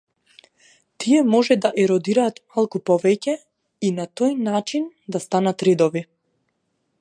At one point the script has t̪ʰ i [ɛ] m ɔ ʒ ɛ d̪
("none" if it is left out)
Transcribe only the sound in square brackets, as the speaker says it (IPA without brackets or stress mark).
ɛ